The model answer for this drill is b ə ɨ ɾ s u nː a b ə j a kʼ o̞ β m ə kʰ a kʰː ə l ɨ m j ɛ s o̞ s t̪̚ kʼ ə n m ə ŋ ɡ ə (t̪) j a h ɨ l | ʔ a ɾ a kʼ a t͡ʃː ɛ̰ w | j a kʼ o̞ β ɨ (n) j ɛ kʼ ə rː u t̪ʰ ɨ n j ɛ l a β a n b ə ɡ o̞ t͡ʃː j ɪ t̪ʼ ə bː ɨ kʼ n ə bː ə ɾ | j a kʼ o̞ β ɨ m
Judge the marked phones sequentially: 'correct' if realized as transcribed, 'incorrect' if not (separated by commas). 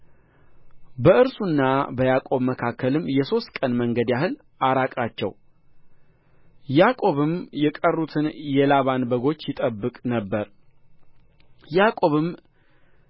incorrect, incorrect